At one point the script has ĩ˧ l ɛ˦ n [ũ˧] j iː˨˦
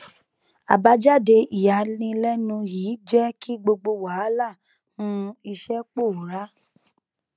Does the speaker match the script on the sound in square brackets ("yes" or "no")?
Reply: yes